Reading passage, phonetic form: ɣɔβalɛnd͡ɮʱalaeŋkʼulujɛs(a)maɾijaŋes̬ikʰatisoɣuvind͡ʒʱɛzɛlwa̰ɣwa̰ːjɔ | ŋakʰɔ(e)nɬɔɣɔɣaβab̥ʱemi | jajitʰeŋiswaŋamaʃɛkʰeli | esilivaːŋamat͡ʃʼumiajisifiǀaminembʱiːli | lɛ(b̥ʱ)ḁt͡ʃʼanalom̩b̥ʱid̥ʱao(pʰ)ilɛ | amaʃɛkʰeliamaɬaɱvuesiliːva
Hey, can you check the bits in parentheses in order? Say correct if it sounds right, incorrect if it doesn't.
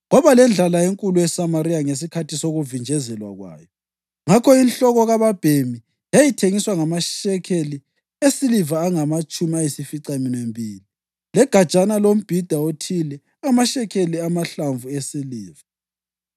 correct, incorrect: i, incorrect: ɡ̥ʱ, incorrect: tʰ

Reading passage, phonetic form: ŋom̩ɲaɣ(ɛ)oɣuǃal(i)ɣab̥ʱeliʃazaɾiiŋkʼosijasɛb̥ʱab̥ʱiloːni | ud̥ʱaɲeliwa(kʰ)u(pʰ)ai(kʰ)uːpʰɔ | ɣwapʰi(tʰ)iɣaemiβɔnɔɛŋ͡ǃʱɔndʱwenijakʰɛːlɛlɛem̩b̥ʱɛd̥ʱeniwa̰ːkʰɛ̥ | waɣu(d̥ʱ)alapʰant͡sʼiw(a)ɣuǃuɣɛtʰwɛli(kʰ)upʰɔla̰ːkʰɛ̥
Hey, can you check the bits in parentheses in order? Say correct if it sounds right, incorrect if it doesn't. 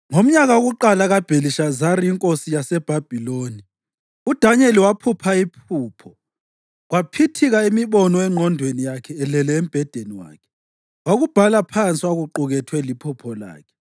incorrect: a, incorrect: a, incorrect: pʰ, correct, incorrect: pʰ, correct, incorrect: b̥ʱ, correct, incorrect: pʰ

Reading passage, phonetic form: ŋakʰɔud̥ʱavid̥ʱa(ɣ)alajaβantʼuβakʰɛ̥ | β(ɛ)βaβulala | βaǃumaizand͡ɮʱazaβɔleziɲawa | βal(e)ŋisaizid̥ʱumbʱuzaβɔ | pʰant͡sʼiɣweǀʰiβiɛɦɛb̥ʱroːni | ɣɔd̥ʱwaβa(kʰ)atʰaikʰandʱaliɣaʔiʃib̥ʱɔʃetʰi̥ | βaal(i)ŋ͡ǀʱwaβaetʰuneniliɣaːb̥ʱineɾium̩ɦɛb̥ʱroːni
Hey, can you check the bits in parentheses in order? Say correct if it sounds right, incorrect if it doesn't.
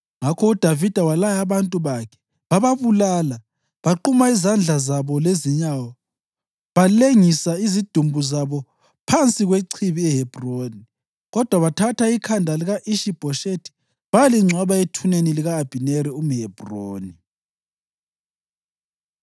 incorrect: w, incorrect: a, correct, incorrect: tʰ, correct

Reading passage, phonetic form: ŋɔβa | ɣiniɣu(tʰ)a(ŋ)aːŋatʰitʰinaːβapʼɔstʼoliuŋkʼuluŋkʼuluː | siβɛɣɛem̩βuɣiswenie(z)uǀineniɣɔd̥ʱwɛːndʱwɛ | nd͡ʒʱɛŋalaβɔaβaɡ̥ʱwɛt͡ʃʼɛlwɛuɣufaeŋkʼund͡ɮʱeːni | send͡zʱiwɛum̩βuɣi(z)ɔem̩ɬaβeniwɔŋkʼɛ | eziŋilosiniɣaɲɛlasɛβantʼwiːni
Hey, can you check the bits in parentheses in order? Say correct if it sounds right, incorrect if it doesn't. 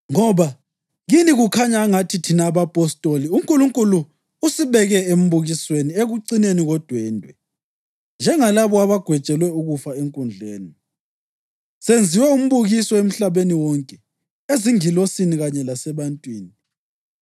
incorrect: kʰ, incorrect: ɲ, incorrect: ɣ, incorrect: s

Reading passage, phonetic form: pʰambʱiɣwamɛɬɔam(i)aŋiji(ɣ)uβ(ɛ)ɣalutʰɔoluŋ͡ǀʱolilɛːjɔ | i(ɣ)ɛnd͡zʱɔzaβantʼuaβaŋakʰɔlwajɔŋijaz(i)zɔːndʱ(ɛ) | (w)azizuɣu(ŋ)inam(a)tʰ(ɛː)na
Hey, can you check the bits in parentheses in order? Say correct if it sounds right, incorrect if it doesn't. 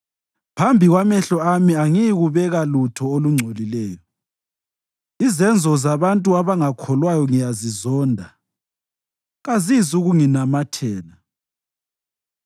correct, correct, correct, incorrect: z, correct, incorrect: a, incorrect: ɣ, correct, correct, correct

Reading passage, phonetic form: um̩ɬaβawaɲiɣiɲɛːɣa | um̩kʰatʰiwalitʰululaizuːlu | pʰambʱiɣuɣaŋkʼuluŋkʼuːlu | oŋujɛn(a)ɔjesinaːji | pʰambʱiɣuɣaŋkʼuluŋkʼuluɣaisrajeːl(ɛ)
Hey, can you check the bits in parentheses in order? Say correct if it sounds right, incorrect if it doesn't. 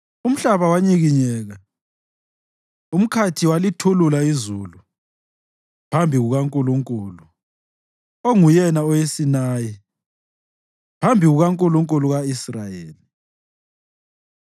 correct, incorrect: i

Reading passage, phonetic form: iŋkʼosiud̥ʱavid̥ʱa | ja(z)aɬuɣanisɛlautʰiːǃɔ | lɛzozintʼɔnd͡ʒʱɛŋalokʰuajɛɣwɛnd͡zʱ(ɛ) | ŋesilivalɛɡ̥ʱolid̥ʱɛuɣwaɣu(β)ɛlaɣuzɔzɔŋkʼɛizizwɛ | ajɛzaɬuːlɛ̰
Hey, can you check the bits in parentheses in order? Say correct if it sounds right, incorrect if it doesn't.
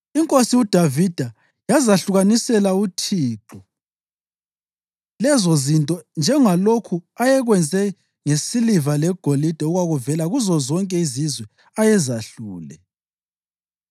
correct, correct, incorrect: v

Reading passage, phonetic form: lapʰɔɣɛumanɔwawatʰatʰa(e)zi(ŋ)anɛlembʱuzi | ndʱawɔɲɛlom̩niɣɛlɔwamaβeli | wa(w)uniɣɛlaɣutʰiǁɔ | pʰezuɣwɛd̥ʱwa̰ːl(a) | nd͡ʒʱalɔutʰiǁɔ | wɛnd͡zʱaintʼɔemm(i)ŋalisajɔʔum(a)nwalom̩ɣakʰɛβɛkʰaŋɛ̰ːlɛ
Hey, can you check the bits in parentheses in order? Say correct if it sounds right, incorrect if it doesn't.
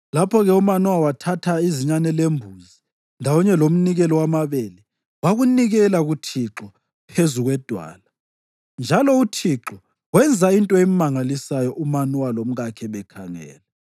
incorrect: i, incorrect: ɲ, incorrect: ɣ, correct, incorrect: a, correct

